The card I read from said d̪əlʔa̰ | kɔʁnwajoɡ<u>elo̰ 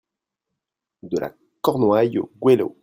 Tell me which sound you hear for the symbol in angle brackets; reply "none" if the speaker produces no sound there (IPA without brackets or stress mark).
w